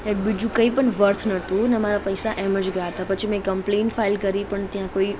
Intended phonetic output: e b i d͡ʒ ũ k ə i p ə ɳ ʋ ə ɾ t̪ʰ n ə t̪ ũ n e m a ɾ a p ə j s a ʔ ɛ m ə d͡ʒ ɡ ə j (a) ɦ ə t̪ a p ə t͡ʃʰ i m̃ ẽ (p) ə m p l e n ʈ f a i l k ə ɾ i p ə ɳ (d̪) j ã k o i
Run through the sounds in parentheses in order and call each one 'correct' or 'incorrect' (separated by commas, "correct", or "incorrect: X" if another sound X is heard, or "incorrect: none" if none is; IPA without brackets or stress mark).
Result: correct, incorrect: k, incorrect: t̪